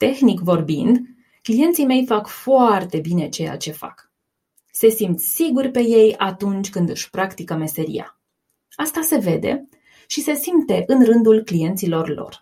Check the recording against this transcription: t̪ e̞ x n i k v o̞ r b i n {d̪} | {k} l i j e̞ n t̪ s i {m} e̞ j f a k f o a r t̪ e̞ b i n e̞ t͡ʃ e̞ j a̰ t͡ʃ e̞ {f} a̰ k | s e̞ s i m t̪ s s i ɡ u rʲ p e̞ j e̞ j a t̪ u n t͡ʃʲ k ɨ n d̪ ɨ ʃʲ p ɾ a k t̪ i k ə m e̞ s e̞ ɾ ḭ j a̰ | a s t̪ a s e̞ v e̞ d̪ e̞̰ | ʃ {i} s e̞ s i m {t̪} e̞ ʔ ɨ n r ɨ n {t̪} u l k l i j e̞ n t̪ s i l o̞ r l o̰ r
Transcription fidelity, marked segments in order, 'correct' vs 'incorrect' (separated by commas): correct, correct, correct, correct, correct, correct, incorrect